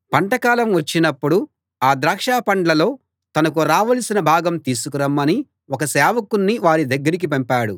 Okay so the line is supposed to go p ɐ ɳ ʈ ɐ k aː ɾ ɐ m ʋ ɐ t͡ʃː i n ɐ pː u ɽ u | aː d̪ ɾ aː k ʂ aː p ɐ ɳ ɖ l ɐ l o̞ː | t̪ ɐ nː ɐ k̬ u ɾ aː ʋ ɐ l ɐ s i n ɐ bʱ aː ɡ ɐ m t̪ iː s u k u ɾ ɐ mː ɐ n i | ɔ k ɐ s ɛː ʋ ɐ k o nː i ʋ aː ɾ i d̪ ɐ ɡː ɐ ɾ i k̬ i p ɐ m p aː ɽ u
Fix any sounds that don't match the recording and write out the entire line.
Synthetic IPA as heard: p ɐ ɳ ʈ ɐ k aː l ɐ m ʋ ɐ t͡ʃː i n ɐ pː u ɽ u | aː d̪ ɾ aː k ʂ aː p ɐ ɳ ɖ l ɐ l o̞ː | t̪ ɐ n ɐ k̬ u ɾ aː ʋ ɐ l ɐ s i n ɐ bʱ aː ɡ ɐ m t̪ iː s u k u ɾ ɐ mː ɐ n i | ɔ k ɐ s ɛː ʋ ɐ k u nː i ʋ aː ɾ i d̪ ɐ ɡː ɐ ɾ i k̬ i p ɐ m p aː ɽ u